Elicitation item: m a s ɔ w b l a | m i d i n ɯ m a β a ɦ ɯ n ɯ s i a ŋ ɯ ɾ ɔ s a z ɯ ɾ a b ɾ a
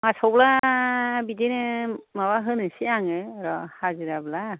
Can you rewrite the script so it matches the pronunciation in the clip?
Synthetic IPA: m a s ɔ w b l a | b i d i n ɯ m a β a ɦ ɯ n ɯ s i a ŋ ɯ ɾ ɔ h a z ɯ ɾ a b l a